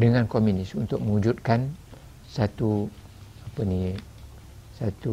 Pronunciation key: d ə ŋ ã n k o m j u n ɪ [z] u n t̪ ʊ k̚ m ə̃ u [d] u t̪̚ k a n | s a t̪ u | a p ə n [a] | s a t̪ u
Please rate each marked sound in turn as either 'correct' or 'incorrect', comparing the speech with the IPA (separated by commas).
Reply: incorrect, incorrect, incorrect